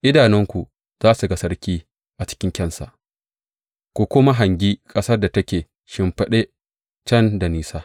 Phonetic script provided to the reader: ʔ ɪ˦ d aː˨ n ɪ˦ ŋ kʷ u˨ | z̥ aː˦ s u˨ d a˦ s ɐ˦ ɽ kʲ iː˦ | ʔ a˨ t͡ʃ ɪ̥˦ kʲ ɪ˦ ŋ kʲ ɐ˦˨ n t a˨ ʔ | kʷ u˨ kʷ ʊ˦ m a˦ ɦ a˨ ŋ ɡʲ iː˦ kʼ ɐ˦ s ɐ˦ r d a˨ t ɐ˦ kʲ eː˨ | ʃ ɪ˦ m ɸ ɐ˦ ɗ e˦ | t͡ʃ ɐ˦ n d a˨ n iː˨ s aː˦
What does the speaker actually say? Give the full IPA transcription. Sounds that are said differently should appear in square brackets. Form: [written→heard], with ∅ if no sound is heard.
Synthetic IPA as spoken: ʔ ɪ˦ d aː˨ n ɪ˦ ŋ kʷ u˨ | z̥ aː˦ s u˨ [d→ɡ] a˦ s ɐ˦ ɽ kʲ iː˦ | ʔ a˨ t͡ʃ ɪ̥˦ kʲ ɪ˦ ŋ kʲ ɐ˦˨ n [t→s] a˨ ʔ | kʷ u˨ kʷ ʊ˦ m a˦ ɦ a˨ ŋ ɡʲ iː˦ kʼ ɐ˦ s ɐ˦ r d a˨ t ɐ˦ kʲ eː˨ | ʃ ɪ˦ m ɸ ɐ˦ ɗ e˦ | t͡ʃ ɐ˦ n d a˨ n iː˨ s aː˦